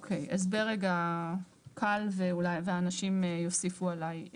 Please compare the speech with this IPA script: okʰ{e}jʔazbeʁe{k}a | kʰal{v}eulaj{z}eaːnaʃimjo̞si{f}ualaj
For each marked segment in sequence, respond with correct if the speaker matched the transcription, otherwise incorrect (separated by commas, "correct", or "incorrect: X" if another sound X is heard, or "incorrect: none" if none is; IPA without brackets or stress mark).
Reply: correct, incorrect: ɡ, correct, incorrect: v, correct